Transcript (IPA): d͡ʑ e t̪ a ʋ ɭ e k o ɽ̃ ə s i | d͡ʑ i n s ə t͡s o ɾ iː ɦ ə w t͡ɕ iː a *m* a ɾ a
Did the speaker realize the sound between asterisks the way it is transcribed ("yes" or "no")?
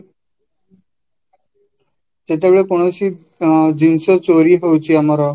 yes